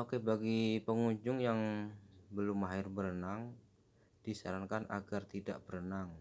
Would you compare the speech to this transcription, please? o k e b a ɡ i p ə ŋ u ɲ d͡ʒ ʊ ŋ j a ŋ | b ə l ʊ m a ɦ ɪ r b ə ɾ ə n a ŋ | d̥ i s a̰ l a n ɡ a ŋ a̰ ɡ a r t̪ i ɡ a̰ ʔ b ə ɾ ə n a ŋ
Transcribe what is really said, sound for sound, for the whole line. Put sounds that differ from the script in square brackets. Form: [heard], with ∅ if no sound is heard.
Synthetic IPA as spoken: o k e b a ɡ i p ə ŋ u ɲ d͡ʒ ʊ ŋ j a ŋ | b ə l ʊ m a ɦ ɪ r b ə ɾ ə n a ŋ | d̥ i s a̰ [ɾ] a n [k] a [n] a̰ ɡ a r t̪ i [d] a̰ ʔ b ə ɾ ə n a ŋ